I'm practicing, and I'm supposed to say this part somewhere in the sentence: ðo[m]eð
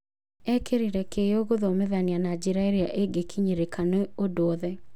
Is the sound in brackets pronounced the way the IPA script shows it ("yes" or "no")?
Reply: yes